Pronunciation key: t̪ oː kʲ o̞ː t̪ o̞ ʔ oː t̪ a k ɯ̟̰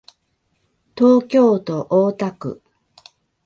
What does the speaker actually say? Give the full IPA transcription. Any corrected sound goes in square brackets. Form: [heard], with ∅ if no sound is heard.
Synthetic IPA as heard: t̪ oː kʲ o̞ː t̪ o̞ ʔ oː t̪ a k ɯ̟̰